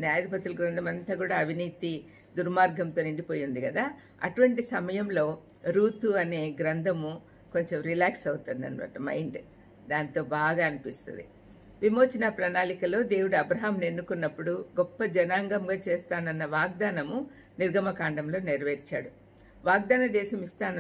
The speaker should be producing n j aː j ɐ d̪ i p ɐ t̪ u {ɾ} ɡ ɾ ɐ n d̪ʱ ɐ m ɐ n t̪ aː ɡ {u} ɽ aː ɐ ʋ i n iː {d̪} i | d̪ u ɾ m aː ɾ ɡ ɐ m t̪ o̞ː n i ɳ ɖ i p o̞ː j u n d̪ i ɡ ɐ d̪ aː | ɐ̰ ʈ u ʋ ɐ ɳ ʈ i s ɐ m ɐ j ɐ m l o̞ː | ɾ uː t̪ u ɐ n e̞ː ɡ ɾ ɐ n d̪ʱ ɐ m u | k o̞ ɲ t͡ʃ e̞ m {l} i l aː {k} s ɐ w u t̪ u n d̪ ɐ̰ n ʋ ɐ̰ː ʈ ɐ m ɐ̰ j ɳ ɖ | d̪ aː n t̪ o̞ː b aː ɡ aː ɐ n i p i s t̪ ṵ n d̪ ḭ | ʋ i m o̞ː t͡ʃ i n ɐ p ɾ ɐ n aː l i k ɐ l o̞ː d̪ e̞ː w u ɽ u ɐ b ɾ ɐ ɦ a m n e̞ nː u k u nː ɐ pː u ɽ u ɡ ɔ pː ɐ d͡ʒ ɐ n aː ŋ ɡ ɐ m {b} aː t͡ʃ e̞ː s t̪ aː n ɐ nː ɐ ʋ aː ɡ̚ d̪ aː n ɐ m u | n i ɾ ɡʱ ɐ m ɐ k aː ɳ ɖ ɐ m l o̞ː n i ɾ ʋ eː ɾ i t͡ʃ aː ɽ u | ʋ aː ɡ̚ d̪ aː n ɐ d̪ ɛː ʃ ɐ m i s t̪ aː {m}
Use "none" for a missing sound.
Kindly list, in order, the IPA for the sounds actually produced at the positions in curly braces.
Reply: l, uː, t̪, ɾ, k, ɡ, n

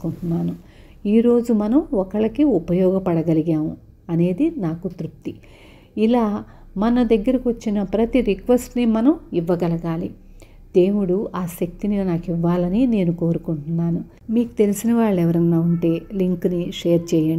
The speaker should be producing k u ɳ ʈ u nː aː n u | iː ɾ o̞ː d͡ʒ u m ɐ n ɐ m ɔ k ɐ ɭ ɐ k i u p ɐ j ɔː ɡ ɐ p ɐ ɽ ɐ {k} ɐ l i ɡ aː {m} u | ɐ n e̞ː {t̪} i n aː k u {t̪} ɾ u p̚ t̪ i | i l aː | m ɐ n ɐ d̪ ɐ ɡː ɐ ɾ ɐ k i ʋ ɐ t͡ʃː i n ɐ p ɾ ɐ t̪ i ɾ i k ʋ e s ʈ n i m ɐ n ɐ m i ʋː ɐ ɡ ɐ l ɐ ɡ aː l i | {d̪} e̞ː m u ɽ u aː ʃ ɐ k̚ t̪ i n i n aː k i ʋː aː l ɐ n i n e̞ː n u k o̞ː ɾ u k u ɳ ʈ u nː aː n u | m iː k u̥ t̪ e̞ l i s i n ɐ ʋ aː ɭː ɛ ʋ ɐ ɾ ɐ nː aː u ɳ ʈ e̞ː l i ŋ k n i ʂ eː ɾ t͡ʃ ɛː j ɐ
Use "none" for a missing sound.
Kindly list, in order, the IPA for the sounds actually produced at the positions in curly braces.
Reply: ɡ, m, d̪, t̪, d̪

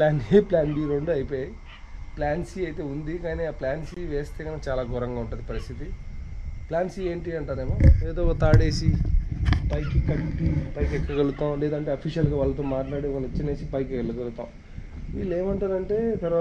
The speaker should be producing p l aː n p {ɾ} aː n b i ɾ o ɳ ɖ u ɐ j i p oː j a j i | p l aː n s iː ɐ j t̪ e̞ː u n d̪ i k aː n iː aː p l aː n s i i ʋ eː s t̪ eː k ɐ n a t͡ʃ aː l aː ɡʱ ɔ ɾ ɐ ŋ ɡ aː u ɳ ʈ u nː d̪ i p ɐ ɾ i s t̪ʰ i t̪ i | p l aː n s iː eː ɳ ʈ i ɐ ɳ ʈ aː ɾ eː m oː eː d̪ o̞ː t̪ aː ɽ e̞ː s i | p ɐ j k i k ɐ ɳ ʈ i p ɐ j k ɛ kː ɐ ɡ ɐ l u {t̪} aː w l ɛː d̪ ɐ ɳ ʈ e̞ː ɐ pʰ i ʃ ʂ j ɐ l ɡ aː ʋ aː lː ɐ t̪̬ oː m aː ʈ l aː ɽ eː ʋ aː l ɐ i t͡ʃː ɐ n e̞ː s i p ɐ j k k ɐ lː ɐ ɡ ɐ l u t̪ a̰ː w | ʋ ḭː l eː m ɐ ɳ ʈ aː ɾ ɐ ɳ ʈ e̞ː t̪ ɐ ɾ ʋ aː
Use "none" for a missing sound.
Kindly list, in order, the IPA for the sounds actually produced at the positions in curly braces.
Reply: l, t̪

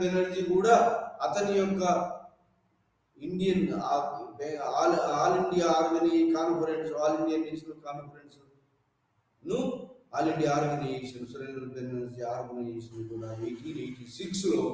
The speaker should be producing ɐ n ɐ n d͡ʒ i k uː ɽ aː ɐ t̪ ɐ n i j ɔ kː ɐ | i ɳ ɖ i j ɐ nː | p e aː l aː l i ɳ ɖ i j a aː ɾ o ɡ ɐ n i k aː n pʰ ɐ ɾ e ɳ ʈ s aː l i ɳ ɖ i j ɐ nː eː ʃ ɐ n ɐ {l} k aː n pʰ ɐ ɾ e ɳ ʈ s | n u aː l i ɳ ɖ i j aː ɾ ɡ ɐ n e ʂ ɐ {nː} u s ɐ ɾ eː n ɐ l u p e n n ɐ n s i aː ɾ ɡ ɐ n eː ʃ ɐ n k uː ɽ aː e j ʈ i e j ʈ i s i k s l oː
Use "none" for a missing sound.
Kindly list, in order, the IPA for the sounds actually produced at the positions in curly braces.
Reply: l, n

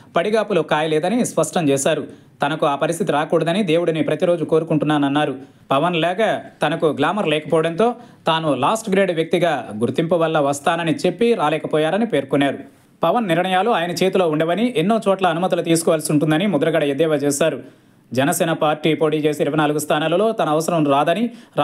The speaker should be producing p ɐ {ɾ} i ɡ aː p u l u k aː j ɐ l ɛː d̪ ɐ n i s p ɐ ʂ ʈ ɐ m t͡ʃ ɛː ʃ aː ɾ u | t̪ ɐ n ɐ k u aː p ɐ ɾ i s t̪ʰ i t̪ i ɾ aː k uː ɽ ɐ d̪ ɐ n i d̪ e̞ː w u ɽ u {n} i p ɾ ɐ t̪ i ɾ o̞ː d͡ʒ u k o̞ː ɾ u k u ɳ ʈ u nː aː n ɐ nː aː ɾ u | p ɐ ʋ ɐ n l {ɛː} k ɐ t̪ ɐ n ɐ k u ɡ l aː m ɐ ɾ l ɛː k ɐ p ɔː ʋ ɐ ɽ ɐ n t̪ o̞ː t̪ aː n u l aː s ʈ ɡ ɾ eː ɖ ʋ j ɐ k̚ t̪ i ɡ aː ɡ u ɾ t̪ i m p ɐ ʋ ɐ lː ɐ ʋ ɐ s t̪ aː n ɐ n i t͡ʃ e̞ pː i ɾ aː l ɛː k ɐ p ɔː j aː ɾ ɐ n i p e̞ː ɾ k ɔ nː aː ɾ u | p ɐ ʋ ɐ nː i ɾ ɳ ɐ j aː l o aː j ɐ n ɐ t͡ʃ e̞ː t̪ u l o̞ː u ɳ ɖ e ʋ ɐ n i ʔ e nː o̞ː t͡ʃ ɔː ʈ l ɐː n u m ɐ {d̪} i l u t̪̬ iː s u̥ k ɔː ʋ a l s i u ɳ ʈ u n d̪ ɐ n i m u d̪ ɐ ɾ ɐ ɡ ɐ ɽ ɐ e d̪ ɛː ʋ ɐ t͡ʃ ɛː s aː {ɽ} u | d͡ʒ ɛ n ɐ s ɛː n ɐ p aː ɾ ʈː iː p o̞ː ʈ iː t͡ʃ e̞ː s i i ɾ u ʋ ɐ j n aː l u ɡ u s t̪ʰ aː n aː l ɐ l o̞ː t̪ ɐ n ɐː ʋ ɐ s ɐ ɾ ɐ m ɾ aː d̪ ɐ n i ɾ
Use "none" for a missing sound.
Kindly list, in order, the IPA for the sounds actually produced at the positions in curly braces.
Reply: ɽ, n, ɛː, t̪, ɾ

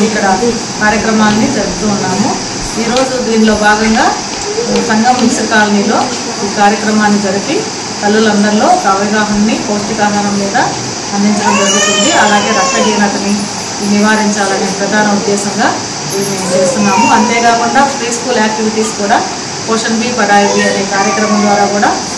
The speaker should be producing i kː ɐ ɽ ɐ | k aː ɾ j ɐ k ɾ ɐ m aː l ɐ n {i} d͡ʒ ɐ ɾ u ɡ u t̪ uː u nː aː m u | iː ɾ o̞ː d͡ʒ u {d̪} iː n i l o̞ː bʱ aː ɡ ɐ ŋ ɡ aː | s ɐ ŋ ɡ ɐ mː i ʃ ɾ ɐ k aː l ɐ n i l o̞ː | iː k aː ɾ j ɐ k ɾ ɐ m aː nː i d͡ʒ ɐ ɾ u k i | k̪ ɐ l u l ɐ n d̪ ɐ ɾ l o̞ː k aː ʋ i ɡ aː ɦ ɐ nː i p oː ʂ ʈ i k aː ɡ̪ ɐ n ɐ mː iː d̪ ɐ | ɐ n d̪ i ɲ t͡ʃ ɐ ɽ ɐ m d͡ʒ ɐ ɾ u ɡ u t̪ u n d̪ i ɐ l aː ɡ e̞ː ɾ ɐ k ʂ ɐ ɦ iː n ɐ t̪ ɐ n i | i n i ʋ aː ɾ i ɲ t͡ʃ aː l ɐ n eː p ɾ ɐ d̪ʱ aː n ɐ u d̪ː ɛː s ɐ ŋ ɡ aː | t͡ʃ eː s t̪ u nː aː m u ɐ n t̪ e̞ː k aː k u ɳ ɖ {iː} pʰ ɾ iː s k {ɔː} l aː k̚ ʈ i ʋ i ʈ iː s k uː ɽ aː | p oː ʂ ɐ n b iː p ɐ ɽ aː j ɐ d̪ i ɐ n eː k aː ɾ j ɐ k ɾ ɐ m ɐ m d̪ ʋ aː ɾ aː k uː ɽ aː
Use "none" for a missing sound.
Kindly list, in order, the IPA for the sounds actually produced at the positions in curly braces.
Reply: i, d̪, aː, uː

